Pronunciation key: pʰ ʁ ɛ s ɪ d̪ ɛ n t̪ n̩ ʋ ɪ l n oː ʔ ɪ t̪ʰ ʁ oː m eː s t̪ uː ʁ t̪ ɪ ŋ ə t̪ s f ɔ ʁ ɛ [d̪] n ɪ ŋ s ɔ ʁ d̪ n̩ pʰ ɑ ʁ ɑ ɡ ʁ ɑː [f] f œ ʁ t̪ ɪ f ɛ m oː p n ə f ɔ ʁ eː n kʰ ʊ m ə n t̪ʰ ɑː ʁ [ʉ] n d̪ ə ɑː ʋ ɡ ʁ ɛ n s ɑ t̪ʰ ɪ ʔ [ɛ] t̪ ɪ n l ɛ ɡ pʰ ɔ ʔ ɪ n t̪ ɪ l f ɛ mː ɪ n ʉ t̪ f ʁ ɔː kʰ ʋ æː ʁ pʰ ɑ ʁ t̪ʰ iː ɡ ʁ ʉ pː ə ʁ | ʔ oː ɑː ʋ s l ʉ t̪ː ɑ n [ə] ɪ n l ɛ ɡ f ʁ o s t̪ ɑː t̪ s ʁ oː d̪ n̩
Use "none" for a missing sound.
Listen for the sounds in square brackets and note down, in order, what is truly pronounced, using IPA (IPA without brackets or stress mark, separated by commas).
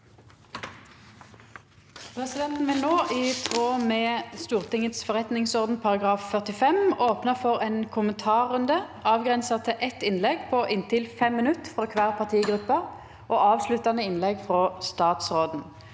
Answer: t̪, f, ʉ, ɛ, ə